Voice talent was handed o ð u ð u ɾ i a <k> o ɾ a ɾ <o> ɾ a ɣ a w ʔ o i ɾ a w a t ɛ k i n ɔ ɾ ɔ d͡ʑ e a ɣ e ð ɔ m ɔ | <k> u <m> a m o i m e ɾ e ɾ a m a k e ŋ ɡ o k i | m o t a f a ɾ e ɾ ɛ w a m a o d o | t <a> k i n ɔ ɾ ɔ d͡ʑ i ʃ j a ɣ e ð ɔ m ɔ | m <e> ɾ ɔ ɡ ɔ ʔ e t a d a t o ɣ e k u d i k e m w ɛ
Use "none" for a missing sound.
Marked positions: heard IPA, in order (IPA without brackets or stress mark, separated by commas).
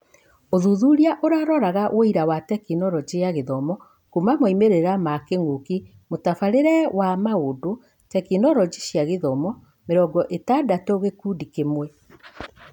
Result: ʔ, ɔ, k, m, ɛ, e